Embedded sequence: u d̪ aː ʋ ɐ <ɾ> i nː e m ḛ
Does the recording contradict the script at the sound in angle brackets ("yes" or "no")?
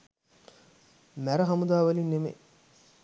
yes